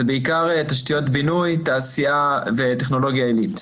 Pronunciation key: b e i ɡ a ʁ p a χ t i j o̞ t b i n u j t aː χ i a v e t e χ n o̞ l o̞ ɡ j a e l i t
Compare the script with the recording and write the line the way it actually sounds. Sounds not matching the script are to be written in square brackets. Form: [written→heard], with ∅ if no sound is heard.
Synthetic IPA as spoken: b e i [ɡ→k] a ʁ [p→t] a [χ→ʃ] t i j o̞ t b i n u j t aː [χ→s] i a v e t e χ n o̞ l o̞ ɡ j a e l i t

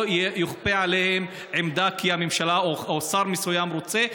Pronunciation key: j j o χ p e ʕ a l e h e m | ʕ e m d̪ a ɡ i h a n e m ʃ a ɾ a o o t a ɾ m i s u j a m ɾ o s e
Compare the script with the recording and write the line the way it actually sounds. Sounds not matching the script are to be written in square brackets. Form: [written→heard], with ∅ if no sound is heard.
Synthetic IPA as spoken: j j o χ p e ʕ a l e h e m | ʕ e m d̪ a [ɡ→k] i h a [n→m] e m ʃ a [ɾ→l] a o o [t→s] a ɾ m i s u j a m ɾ o [s→t͡s] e

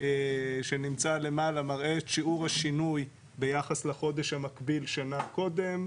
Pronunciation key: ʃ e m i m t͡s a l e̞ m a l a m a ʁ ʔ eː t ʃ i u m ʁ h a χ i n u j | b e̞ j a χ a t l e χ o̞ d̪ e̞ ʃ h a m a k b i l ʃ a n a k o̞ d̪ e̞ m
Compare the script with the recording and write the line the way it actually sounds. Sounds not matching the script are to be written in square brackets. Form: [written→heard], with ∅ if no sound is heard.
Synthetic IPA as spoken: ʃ e [m→n] i m t͡s a l e̞ m a l a m a ʁ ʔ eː t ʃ i u [m→∅] ʁ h a [χ→ʃ] i n u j | b e̞ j a χ a [t→s] l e χ o̞ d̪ e̞ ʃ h a m a k b i l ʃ a n a k o̞ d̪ e̞ m

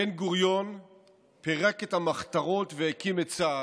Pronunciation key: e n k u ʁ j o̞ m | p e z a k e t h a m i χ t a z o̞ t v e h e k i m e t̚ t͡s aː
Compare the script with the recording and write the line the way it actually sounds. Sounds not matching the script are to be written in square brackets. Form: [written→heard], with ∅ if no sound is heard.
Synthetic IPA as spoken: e n [k→ɡ] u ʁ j o̞ [m→n] | p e [z→ʁ] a k e t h a m [i→a] χ t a [z→ʁ] o̞ t v e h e k i m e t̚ t͡s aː

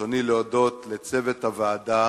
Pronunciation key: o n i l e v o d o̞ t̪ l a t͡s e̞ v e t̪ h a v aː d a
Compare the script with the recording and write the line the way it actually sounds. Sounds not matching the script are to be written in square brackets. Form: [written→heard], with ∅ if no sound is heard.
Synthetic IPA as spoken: o n i l e [v→∅] o d o̞ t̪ l [a→e] t͡s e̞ v e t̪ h a v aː d a

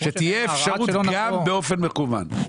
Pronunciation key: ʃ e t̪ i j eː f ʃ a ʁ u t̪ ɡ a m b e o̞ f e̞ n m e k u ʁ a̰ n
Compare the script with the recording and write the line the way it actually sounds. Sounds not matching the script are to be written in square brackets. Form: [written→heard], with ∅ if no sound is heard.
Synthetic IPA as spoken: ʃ e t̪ i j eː f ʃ a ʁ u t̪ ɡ a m b e o̞ f e̞ n m e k u [ʁ→v] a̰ n

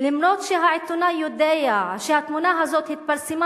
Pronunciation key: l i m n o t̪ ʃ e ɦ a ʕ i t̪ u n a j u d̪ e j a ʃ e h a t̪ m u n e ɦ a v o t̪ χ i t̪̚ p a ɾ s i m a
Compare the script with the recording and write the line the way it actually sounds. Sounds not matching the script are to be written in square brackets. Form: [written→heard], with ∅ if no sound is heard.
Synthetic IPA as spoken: l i m n o t̪ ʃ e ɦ a ʕ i t̪ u n a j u d̪ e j a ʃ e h a t̪ m u n [e→a] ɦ a [v→z] o t̪ [χ→h] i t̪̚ p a ɾ s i m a

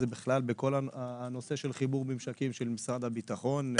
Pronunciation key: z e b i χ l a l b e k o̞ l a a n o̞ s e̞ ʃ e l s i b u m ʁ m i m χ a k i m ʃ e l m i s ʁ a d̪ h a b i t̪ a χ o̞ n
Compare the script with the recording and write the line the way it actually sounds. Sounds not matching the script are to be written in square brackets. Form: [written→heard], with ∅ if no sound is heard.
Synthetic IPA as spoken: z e b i χ l a l b e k o̞ l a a n o̞ s e̞ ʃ e l [s→χ] i b u [m→∅] ʁ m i m [χ→ʃ] a k i m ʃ e l m i s ʁ a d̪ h a b i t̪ a χ o̞ n

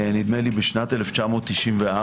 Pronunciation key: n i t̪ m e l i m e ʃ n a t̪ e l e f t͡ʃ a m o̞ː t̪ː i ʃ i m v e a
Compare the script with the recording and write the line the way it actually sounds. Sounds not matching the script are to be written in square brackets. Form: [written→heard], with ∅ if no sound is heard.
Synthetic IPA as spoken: n i [t̪→d̪] m e l i [m→b] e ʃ n a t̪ e l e f t͡ʃ a m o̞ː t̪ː i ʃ i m v e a

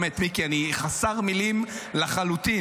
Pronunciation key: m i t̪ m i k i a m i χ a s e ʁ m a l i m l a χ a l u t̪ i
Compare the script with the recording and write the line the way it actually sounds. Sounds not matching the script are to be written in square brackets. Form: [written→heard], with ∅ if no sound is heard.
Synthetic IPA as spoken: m [i→e] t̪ m i k i a [m→n] i χ a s [e→a] ʁ m [a→i] l i m l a χ a l u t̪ i

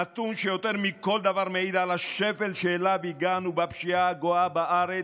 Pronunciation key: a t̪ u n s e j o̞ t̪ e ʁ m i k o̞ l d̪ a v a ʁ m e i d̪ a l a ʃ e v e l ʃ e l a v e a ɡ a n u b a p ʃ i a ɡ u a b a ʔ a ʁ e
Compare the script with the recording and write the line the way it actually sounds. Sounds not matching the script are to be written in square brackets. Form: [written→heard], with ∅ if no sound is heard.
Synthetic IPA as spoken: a t̪ u n [s→ʃ] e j o̞ t̪ e ʁ m i k o̞ l d̪ a v a ʁ m e i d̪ a l a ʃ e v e l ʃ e l a v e [a→i] ɡ a n u b a p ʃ i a ɡ [u→o] a b a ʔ a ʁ e

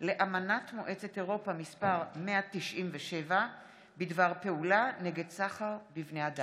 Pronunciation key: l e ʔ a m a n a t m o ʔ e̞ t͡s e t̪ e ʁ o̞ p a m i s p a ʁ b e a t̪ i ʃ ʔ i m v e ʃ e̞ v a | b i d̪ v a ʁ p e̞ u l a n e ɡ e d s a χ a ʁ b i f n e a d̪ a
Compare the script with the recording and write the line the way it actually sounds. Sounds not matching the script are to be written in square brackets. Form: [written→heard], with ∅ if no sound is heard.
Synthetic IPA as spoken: l e ʔ a m a n a t m o ʔ e̞ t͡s e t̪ e ʁ o̞ p a m i s p a ʁ [b→m] e a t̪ i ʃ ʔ i m v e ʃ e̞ v a | b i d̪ v a ʁ p e̞ u l a n e ɡ e d s a χ a ʁ b i [f→v] n e a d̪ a

